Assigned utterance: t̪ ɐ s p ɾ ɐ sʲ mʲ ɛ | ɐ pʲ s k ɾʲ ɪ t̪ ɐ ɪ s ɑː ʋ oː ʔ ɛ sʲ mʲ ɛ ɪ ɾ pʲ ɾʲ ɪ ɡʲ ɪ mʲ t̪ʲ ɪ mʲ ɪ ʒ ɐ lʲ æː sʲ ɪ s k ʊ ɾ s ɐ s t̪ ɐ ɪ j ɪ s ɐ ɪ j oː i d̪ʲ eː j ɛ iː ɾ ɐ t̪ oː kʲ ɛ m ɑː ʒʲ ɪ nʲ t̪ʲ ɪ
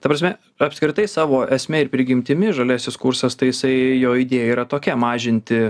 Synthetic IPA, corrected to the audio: t̪ ɐ p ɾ ɐ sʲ mʲ ɛ | ɐ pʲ s k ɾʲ ɪ t̪ ɐ ɪ s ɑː ʋ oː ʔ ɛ sʲ mʲ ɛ ɪ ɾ pʲ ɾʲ ɪ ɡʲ ɪ mʲ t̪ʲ ɪ mʲ ɪ ʒ ɐ lʲ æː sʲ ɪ s k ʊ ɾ s ɐ s t̪ ɐ ɪ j ɪ s ɐ ɪ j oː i d̪ʲ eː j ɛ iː ɾ ɐ t̪ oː kʲ ɛ m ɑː ʒʲ ɪ nʲ t̪ʲ ɪ